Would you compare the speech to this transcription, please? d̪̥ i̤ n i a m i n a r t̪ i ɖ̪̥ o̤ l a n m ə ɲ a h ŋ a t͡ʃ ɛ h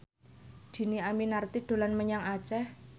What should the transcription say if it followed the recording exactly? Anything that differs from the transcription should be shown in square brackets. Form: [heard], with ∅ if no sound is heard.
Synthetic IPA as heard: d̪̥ i̤ n i a m i n a r t̪ i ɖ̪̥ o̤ l a n m ə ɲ a [∅] ŋ a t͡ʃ ɛ h